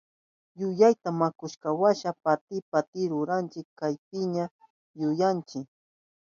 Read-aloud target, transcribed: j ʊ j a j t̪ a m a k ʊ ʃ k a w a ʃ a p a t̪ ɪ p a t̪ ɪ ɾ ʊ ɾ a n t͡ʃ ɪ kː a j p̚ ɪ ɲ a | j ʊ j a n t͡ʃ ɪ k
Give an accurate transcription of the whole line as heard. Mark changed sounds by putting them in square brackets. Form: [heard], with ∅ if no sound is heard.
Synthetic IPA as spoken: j ʊ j a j t̪ a m a k ʊ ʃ k a w a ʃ a p a t̪ ɪ p a t̪ ɪ ɾ ʊ ɾ a n t͡ʃ ɪ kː a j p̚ ɪ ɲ a | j ʊ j a n t͡ʃ ɪ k